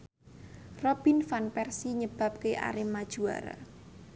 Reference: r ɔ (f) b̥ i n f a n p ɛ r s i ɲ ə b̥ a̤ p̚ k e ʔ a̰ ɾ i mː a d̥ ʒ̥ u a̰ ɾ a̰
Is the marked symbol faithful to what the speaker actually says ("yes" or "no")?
no